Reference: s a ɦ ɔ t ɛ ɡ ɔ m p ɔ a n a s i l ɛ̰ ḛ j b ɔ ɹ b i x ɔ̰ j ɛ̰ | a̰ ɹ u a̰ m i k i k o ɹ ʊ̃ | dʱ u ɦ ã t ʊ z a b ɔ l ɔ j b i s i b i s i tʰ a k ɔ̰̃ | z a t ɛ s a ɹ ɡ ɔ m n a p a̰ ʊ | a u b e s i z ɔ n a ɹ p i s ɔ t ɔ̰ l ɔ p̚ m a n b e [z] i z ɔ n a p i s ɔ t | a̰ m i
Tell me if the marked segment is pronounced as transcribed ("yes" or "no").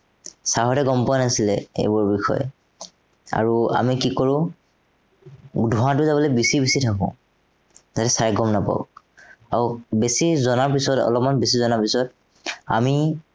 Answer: no